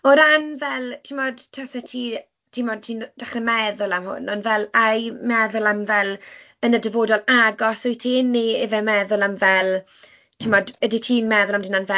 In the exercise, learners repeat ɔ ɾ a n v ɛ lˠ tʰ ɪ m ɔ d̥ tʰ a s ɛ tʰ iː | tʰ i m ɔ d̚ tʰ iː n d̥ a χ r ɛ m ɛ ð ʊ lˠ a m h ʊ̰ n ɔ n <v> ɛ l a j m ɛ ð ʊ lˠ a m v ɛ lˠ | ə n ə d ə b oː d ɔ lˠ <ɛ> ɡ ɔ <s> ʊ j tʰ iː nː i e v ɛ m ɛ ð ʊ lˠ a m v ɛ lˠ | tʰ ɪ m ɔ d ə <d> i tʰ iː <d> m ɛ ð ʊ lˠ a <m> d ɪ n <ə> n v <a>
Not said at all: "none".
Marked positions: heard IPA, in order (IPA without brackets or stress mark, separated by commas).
v, a, s, d, n, m, a, ɛ